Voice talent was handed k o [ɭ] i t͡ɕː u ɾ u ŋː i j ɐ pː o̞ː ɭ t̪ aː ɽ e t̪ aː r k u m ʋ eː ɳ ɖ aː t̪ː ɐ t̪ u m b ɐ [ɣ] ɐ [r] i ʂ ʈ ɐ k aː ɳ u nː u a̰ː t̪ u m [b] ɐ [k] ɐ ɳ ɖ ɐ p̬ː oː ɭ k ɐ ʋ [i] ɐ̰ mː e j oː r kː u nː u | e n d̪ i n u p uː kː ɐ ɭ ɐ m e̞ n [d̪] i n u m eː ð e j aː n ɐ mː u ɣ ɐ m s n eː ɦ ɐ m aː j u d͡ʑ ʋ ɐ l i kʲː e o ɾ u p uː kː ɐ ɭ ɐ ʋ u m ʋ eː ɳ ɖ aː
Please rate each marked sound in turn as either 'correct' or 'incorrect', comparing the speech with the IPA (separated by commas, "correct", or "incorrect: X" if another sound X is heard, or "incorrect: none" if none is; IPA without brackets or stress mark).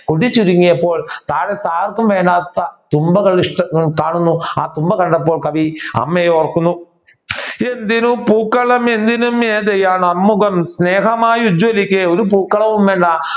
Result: incorrect: ɽ, correct, incorrect: ɭ, correct, correct, correct, correct